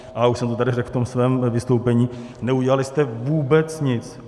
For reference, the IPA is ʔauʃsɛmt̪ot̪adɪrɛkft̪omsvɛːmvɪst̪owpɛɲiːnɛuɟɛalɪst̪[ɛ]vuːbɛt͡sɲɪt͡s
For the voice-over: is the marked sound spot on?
yes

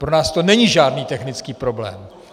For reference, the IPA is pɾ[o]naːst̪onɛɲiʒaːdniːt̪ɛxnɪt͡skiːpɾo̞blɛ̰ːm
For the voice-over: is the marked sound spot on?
yes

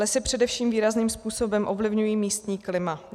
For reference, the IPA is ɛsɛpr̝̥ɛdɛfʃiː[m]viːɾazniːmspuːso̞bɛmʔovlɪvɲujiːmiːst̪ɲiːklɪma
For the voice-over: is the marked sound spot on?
yes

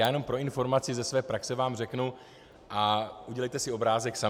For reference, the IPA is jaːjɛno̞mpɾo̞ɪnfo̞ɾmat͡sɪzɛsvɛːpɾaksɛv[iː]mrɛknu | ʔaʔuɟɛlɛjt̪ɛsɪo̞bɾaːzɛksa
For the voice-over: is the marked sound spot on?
no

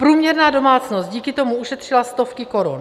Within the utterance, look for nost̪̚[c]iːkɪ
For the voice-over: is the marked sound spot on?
no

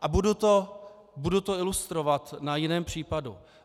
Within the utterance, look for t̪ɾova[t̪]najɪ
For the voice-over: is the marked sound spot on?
yes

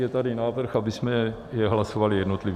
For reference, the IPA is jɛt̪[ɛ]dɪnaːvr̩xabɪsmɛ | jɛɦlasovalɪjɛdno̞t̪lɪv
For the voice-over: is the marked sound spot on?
no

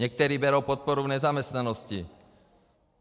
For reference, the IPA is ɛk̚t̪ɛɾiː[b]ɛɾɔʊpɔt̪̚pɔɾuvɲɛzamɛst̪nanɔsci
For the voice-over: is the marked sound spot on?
yes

